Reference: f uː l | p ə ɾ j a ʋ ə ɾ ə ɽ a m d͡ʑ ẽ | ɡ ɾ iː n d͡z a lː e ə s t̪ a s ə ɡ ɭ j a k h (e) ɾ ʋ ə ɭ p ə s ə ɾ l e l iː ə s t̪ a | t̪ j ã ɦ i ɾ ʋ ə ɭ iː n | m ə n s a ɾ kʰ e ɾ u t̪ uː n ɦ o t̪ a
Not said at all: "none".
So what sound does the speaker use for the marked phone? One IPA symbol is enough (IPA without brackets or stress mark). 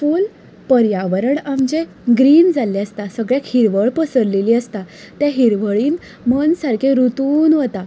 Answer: i